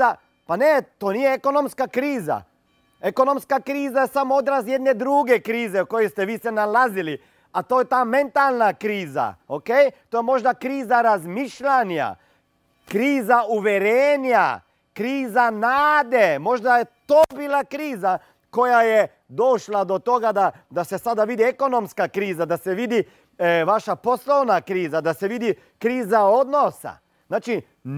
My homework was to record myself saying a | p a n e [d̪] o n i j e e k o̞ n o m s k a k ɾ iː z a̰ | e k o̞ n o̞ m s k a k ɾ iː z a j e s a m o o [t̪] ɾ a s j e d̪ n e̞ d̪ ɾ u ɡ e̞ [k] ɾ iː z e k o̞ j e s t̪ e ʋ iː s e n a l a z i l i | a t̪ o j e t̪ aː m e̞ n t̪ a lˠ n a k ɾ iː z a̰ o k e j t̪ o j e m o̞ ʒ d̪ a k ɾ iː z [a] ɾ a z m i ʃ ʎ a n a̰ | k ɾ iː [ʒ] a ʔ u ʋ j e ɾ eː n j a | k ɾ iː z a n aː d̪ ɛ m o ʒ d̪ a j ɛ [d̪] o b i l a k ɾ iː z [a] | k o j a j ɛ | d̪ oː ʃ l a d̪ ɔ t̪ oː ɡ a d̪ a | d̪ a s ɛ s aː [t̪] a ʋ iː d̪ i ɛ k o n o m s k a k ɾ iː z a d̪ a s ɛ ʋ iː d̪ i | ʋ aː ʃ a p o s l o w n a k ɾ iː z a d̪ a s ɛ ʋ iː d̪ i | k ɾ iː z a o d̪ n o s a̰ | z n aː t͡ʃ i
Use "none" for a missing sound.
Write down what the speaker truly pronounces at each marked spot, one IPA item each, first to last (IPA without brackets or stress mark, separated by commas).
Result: t̪, d̪, k, a, z, t̪, a, d̪